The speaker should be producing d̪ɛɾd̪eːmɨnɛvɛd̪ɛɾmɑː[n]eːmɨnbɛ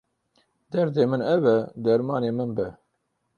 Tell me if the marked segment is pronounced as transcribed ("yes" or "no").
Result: yes